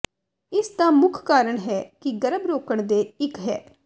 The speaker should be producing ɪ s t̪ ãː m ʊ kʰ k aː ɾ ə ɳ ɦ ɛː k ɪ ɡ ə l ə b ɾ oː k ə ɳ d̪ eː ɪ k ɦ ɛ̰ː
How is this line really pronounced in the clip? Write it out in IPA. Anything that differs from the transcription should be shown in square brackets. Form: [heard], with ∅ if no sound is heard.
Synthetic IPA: ɪ s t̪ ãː m ʊ kʰ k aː ɾ ə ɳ ɦ ɛː k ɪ ɡ ə [ɾ] ə b ɾ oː k ə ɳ d̪ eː ɪ k ɦ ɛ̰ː